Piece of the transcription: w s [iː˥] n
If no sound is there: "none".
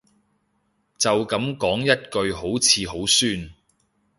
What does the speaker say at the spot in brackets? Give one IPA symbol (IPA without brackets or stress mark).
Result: yː˥